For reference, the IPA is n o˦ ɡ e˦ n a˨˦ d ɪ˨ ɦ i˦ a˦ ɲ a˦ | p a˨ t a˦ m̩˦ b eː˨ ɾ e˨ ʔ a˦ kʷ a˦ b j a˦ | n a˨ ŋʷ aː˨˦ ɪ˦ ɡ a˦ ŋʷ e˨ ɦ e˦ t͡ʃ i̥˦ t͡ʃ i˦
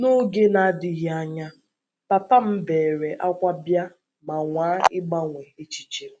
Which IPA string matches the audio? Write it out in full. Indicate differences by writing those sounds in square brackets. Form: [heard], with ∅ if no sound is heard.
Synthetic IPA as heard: n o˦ ɡ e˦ n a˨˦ d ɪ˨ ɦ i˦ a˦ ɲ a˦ | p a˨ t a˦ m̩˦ b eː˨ ɾ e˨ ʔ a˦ kʷ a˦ b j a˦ | [m] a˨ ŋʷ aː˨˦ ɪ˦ [ɡ͡b] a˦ ŋʷ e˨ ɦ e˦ t͡ʃ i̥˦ t͡ʃ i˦